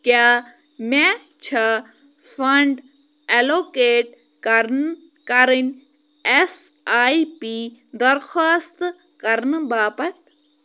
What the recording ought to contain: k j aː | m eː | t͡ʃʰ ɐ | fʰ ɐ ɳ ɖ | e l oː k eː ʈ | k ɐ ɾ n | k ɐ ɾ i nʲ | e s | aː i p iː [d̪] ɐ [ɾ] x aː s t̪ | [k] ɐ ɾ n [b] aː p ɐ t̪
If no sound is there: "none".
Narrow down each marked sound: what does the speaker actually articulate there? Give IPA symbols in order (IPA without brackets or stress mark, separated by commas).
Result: d̪, ɾ, k, b